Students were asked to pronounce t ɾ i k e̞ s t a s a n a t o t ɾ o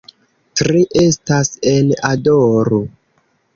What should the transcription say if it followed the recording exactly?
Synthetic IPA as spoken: t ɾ i ʔ e̞ s t a s e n a d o ɾ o